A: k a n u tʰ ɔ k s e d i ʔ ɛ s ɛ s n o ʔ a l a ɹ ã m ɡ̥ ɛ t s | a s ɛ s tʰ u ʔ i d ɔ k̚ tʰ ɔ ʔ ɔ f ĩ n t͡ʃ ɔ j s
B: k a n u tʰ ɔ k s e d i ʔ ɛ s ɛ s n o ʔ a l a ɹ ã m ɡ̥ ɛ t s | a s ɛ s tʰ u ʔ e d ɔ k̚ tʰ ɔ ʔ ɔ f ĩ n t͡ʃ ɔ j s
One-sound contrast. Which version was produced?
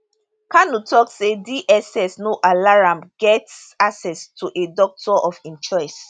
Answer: B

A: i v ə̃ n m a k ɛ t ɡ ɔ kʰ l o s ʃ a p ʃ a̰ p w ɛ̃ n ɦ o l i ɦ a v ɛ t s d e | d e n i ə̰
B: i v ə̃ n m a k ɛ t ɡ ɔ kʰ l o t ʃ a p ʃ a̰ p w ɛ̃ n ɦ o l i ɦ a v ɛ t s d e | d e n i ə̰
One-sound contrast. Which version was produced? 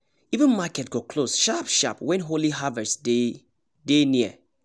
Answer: A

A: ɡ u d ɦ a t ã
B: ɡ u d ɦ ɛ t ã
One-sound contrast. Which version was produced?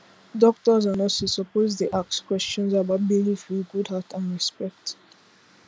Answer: A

